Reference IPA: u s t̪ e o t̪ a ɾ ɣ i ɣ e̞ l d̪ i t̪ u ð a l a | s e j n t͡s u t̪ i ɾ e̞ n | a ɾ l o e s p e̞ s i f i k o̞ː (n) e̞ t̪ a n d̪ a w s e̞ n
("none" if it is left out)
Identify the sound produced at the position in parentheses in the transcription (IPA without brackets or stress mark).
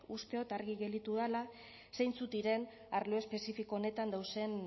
n